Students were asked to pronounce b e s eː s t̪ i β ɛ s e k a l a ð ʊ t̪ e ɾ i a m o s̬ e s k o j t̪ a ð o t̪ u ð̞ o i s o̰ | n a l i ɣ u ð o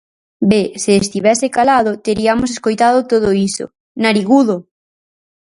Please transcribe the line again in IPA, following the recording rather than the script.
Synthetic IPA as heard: b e s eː s t̪ i β ɛ s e k a l a ð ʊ t̪ e ɾ i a m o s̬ e s k o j t̪ a ð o t̪ o ð̞ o i s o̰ | n a ɾ i ɣ u ð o